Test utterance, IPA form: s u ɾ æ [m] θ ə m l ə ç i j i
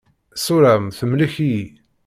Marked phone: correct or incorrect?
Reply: correct